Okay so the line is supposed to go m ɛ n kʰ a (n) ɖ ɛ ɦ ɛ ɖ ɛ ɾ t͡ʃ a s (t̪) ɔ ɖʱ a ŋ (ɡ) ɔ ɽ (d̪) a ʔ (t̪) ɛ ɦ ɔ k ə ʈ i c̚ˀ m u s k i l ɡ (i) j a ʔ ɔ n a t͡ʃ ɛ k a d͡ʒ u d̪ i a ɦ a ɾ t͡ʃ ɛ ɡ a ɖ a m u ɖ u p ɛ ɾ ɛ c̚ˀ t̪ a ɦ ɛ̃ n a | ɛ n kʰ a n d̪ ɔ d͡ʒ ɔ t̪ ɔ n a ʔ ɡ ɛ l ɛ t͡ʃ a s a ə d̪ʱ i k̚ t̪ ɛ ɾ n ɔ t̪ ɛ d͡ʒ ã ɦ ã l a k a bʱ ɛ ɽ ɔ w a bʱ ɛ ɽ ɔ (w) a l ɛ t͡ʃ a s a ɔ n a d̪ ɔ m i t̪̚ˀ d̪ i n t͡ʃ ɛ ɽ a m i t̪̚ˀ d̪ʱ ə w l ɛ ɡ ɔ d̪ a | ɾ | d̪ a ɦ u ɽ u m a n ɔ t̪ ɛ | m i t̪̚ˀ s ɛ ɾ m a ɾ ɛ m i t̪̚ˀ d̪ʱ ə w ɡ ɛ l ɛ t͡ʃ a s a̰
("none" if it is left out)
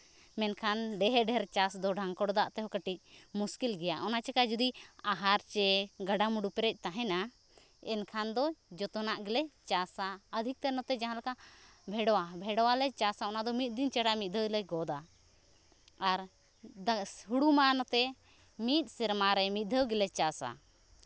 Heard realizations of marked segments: n, d̪, k, d̪, t̪, ɛ, w

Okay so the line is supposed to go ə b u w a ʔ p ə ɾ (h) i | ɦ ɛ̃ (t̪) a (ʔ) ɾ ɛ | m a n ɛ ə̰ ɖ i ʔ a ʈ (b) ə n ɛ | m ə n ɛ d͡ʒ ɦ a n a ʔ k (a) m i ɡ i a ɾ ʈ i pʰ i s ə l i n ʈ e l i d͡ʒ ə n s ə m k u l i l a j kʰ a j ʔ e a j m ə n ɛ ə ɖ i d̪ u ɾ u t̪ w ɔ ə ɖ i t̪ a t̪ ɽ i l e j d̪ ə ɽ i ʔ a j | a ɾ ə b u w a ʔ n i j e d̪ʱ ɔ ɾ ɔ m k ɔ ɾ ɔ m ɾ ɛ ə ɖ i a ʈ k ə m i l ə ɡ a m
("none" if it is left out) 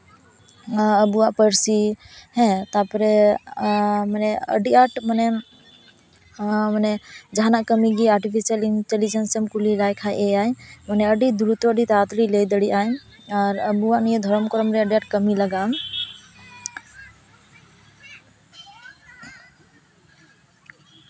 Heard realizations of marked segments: s, t̪, p, m, ə

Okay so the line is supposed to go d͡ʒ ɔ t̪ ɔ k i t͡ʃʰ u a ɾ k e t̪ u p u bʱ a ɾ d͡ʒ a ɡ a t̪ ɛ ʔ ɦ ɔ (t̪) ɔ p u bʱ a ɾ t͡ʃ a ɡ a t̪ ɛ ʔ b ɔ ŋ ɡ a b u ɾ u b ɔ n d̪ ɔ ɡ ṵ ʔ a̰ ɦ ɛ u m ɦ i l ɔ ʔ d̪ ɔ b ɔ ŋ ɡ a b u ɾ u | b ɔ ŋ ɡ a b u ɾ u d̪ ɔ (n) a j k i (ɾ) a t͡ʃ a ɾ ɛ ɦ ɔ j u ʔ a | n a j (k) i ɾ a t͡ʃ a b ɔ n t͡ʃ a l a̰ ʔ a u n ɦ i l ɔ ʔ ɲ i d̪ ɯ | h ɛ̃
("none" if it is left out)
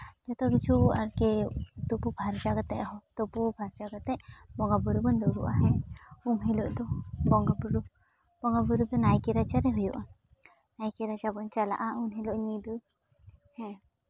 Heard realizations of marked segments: t̪, n, ɾ, k

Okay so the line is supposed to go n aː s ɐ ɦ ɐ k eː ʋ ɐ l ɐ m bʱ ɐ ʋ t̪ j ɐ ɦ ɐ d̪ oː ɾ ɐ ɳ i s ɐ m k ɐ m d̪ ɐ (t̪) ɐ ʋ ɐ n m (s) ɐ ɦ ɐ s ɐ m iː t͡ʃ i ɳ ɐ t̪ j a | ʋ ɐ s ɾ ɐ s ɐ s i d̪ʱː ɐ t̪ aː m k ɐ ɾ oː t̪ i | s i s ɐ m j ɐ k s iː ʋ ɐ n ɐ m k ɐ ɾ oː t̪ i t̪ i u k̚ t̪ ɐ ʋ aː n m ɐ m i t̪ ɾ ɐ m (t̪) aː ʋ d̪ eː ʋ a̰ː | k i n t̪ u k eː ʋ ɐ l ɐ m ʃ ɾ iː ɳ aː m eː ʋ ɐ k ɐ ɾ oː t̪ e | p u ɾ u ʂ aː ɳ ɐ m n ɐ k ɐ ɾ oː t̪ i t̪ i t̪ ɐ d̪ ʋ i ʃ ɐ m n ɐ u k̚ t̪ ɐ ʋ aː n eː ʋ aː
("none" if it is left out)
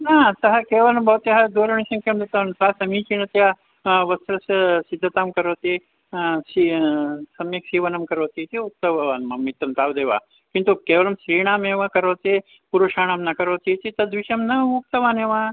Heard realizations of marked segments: t̪, s, t̪

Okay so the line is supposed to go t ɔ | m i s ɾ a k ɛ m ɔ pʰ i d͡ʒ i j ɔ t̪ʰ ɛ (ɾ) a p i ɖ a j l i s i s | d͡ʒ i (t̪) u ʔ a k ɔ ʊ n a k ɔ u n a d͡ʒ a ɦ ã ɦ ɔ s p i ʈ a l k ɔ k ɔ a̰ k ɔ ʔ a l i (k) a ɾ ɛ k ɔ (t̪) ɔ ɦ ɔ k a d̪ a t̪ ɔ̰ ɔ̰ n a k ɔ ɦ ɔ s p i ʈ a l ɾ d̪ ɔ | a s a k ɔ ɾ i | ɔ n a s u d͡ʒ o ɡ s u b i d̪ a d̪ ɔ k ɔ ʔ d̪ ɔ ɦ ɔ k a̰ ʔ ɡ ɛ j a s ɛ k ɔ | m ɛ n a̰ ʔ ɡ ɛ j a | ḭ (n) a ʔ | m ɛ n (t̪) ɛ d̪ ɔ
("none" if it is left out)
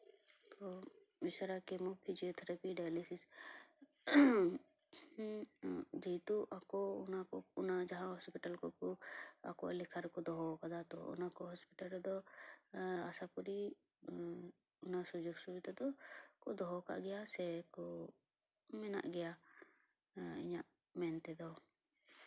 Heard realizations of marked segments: ɾ, t̪, kʰ, d̪, ɲ, t̪

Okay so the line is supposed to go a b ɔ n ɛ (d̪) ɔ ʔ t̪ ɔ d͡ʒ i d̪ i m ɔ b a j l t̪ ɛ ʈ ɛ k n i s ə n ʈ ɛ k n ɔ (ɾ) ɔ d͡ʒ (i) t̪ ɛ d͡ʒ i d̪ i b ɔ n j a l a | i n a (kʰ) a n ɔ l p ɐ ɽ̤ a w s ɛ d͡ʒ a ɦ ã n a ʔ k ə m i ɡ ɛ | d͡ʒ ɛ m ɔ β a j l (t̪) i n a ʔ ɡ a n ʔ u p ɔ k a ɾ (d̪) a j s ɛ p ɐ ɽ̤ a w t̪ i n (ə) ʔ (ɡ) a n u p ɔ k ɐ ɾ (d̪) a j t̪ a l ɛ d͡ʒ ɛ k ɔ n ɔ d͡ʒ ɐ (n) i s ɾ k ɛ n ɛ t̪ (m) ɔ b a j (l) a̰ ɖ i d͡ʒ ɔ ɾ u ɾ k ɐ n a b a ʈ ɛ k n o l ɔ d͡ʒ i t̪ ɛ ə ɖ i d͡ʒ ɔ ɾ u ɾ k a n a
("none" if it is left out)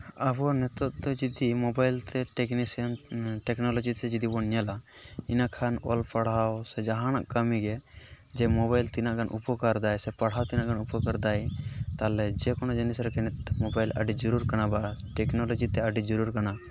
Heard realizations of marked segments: t̪, l, i, kʰ, t̪, d̪, a, ɡ, d̪, n, m, l

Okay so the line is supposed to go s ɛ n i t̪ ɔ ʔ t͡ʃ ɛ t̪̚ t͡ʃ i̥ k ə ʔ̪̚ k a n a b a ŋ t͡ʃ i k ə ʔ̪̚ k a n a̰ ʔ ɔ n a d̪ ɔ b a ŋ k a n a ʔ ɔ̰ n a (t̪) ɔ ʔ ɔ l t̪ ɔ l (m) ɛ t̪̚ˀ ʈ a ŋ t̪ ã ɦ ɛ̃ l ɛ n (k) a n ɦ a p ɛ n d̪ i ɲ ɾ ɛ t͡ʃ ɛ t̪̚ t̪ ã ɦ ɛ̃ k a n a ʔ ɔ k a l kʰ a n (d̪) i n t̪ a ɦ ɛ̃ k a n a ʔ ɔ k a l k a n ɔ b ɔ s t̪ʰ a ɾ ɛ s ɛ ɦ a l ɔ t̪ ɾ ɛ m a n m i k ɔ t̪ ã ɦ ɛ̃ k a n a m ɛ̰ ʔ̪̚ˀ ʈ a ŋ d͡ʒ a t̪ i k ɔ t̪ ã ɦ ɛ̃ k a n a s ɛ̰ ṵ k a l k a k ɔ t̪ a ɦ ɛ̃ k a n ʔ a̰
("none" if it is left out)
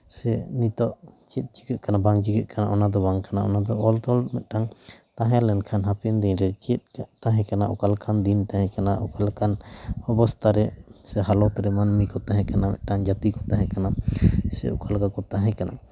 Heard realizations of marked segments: d̪, m, kʰ, d̪

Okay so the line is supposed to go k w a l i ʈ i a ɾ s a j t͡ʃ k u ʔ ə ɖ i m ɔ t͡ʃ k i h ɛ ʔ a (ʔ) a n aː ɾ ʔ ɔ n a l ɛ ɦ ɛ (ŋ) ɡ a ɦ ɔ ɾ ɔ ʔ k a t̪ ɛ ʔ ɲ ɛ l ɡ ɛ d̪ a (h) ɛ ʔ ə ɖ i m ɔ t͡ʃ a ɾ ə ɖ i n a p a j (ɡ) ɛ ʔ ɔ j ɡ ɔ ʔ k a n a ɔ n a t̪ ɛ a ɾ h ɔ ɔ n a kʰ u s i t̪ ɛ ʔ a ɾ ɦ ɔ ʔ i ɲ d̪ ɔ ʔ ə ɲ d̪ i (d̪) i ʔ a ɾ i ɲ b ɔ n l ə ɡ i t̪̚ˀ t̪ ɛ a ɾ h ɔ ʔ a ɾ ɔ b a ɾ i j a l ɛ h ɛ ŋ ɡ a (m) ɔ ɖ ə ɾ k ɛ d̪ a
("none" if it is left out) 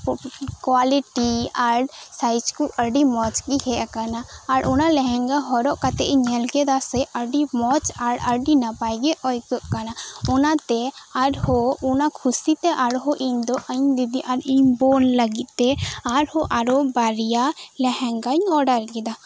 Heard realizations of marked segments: k, ŋ, s, ɡ, d̪, ɲ

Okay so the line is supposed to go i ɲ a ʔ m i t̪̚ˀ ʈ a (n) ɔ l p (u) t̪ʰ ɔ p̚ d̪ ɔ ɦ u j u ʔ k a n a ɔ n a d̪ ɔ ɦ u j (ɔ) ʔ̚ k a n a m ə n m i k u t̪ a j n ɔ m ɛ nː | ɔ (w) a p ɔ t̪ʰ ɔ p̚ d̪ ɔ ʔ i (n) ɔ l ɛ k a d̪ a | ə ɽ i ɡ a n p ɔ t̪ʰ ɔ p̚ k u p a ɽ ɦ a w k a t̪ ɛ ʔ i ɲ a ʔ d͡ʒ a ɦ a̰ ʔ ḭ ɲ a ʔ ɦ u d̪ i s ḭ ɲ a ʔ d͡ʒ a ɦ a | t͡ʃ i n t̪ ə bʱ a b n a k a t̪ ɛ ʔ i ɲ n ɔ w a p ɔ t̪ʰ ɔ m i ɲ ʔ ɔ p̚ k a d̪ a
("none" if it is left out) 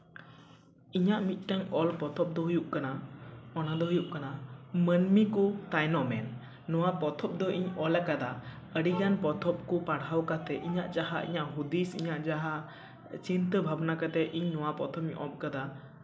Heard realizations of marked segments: ŋ, ɔ, u, w, ɲ

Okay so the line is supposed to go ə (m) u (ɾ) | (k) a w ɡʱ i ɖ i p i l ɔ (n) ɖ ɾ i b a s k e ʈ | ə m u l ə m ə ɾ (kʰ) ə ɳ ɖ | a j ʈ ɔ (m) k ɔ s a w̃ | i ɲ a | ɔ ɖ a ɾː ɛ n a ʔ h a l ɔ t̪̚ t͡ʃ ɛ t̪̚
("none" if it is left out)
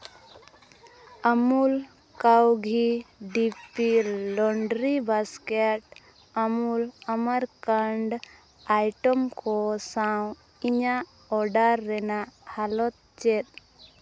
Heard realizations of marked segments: m, l, k, ɳ, k, m

